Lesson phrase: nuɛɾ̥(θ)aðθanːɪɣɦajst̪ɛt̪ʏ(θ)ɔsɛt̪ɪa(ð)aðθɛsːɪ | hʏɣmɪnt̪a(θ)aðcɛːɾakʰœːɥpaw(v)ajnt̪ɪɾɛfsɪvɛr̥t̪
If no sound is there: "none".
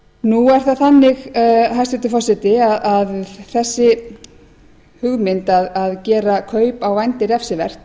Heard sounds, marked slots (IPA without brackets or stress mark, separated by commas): θ, f, ð, ð, v